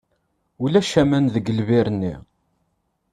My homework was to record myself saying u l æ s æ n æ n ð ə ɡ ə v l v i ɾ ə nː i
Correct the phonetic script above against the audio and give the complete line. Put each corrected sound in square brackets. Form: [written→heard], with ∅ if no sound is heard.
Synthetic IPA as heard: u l æ [s→ʃ] æ [n→m] æ n ð ə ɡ ə [v→∅] l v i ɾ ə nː i